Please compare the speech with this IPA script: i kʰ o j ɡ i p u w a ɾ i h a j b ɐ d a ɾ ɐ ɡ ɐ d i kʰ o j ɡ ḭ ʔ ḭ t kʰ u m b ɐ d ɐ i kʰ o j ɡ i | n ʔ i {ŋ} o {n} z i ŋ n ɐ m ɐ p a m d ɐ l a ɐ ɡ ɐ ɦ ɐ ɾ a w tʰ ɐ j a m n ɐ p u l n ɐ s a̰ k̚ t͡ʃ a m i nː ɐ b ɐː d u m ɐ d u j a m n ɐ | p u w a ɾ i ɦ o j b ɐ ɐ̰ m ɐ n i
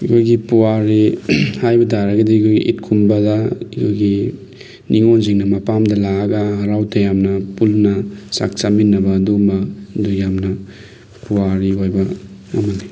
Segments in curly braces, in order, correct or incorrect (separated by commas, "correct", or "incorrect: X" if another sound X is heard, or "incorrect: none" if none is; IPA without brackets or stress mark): correct, correct